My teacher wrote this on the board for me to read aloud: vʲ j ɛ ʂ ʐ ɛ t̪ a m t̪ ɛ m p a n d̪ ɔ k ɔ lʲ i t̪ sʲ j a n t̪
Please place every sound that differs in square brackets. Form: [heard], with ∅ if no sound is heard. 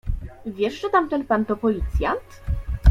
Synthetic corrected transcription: vʲ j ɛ ʂ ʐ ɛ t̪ a m t̪ ɛ [n] p a n [t̪] ɔ [p] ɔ lʲ i t̪ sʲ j a n t̪

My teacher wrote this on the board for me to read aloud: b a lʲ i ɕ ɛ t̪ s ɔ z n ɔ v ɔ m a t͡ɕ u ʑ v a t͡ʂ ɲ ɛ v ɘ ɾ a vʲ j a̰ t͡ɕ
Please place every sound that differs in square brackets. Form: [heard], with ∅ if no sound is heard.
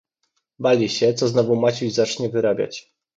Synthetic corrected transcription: b a lʲ i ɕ ɛ t̪ s ɔ z n ɔ v [u] m a t͡ɕ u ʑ [z] a t͡ʂ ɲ ɛ v ɘ ɾ a [bʲ] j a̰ t͡ɕ

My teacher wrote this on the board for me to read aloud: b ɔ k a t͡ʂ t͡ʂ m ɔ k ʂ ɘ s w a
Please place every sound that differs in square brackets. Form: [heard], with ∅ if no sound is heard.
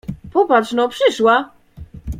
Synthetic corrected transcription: [p] ɔ [p] a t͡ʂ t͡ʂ [n] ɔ [p] ʂ ɘ [ʂ] w a

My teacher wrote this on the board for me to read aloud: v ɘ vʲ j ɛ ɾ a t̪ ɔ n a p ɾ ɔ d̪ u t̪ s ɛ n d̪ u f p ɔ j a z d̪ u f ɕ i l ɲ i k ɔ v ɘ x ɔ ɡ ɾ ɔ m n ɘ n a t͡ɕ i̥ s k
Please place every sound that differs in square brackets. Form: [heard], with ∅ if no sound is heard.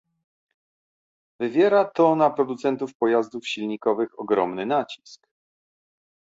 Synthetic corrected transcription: v ɘ vʲ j ɛ ɾ a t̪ ɔ n a p ɾ ɔ d̪ u t̪ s ɛ n [t̪] u f p ɔ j a z d̪ u f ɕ i l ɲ i k ɔ v ɘ x ɔ ɡ ɾ ɔ m n ɘ n a t͡ɕ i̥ s k

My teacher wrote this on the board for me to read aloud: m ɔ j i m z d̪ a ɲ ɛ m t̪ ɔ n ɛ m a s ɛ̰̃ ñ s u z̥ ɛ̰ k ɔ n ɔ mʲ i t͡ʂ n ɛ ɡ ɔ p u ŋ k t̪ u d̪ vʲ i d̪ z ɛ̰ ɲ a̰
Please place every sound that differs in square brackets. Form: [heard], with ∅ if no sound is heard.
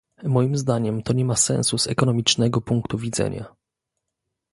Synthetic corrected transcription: m ɔ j i m z d̪ a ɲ ɛ m t̪ ɔ [ɲ] ɛ m a s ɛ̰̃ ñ s u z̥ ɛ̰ k ɔ n ɔ mʲ i t͡ʂ n ɛ ɡ ɔ p u ŋ k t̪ u [∅] vʲ i d̪ z ɛ̰ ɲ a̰

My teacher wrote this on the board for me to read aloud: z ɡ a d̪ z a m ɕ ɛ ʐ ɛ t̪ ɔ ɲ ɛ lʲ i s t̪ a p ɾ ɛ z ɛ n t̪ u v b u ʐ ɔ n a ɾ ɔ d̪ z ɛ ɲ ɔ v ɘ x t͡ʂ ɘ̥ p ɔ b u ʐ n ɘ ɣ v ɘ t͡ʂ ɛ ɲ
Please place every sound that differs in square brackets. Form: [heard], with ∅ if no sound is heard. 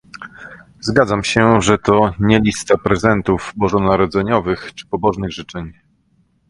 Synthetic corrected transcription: z ɡ a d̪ z a m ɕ ɛ ʐ ɛ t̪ ɔ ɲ ɛ lʲ i s t̪ a p ɾ ɛ z ɛ n t̪ u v b [ɔ] ʐ ɔ n a ɾ ɔ d̪ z ɛ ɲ ɔ v ɘ x t͡ʂ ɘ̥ p ɔ b [ɔ] ʐ n ɘ ɣ [ʐ] ɘ t͡ʂ ɛ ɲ

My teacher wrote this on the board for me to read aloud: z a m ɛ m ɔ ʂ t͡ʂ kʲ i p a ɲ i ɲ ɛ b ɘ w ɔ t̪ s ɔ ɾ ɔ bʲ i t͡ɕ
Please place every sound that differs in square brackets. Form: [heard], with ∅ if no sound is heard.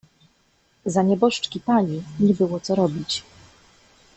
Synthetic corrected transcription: z a [ɲ] ɛ [b] ɔ ʂ t͡ʂ kʲ i p a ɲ i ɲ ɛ b ɘ w ɔ t̪ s ɔ ɾ ɔ bʲ i t͡ɕ

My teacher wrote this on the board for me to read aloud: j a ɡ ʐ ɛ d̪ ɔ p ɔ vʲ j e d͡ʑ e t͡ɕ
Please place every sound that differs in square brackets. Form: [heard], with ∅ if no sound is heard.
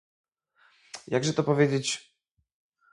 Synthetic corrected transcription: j a ɡ ʐ ɛ [t̪] ɔ p ɔ vʲ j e d͡ʑ e t͡ɕ

